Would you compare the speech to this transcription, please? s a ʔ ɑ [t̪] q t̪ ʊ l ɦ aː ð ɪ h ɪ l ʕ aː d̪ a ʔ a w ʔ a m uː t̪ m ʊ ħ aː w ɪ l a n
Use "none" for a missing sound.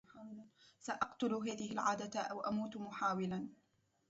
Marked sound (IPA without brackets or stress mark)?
none